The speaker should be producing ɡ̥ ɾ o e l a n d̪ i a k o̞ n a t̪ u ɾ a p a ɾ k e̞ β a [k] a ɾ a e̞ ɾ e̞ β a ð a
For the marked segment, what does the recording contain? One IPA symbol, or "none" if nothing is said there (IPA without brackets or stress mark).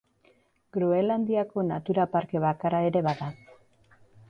k